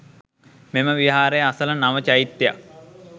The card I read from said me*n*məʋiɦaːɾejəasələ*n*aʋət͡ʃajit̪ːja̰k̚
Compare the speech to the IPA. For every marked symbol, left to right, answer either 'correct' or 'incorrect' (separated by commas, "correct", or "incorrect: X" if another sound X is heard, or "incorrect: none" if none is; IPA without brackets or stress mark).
incorrect: none, correct